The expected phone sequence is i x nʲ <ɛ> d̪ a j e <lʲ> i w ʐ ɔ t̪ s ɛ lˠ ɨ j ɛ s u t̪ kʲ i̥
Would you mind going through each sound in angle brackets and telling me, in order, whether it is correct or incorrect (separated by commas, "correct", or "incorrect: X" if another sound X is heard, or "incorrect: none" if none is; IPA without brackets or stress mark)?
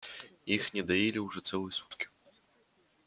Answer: correct, correct